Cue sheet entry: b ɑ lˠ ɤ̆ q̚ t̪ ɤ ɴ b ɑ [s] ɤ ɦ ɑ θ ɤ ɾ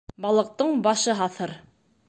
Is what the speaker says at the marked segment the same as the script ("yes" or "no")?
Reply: no